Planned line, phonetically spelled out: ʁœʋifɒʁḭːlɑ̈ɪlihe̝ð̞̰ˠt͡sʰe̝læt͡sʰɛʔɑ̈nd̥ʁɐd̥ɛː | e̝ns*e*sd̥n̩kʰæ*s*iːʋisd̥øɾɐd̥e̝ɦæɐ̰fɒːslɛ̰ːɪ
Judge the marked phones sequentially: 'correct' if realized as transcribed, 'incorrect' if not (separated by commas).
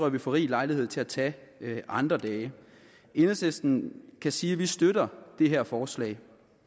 correct, correct